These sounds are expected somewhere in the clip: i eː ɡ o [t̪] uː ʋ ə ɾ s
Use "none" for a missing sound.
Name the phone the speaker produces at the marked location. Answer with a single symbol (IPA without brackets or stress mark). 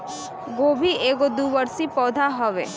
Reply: d̪